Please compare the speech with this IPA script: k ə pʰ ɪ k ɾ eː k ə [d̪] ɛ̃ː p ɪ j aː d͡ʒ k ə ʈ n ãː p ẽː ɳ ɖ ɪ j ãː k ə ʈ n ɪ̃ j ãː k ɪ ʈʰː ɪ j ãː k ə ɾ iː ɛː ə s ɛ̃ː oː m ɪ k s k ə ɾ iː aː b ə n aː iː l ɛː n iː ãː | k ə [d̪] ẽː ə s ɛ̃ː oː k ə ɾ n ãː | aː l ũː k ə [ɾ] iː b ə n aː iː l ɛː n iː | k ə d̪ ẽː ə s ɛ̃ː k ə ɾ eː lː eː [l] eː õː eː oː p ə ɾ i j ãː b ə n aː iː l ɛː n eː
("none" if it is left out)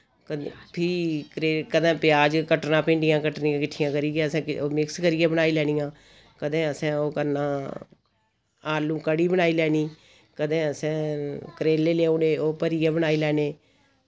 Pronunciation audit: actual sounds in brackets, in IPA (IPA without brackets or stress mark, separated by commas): d̪, d̪, ɽ, l